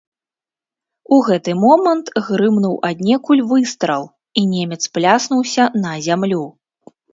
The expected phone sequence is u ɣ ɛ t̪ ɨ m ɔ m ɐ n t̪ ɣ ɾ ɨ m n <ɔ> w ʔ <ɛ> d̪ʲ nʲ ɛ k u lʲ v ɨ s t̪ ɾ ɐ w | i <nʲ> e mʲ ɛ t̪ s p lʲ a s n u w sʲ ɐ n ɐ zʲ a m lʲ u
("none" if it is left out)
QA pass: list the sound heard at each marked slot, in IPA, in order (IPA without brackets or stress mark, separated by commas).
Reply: u, a, nʲ